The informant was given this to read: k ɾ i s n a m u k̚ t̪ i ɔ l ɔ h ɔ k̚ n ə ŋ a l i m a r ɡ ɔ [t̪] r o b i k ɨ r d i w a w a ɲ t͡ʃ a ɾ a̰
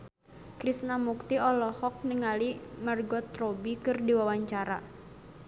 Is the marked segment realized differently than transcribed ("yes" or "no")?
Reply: no